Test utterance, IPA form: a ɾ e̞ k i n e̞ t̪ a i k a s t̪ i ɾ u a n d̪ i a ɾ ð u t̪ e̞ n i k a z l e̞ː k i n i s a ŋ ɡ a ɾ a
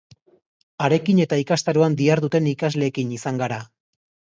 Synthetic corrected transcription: a ɾ e̞ k i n e̞ t̪ a i k a s t̪ a ɾ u a n d̪ i a ɾ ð u t̪ e̞ n i k a z l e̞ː k i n i s a ŋ ɡ a ɾ a